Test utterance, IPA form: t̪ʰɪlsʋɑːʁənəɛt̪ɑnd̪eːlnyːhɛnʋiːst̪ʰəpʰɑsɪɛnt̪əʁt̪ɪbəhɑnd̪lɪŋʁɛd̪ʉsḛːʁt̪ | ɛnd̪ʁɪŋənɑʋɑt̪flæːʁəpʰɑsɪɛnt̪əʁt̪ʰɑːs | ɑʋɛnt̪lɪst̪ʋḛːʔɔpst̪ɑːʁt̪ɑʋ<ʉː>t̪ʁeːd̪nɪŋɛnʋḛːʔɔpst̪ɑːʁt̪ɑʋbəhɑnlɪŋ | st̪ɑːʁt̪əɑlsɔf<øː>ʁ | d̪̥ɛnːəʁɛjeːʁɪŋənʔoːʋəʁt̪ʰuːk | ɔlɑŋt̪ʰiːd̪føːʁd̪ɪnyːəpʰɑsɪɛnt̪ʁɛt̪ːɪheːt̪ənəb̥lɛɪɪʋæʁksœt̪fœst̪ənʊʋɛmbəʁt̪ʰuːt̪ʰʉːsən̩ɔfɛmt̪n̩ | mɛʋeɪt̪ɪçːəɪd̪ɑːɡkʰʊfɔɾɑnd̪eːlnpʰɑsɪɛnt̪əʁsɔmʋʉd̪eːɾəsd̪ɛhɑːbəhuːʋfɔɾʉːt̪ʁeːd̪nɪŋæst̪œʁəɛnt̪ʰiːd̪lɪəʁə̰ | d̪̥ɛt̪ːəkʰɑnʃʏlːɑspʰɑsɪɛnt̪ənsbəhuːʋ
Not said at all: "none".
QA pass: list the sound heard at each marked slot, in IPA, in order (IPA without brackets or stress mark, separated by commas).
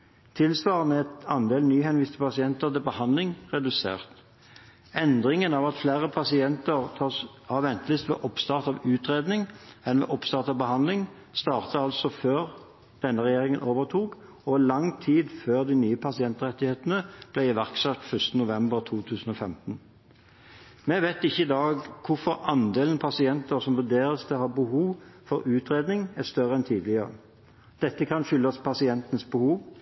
ʉː, øː